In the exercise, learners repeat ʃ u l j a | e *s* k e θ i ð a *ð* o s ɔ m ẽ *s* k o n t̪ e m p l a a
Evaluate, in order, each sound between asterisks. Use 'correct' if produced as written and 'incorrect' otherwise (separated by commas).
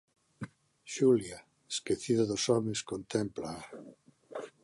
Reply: correct, correct, correct